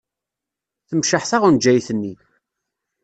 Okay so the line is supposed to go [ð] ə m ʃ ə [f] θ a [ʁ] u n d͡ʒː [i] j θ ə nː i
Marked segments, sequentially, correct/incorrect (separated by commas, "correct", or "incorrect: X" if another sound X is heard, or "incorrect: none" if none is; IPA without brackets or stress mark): incorrect: θ, incorrect: ħ, correct, incorrect: æ